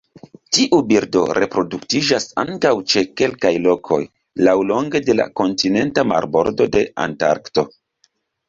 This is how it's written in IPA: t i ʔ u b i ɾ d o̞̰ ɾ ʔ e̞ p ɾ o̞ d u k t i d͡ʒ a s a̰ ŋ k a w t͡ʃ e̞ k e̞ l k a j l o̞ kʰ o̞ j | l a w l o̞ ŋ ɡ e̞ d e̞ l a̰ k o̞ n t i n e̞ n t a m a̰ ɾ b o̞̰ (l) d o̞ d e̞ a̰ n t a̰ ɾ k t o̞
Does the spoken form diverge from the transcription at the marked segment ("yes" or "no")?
yes